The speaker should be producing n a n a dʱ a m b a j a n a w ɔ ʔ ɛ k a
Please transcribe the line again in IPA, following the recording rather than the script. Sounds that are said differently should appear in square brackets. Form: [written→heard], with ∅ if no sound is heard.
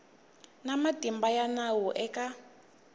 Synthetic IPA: n a [n→m] a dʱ [a→i] m b a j a n a w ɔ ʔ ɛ k a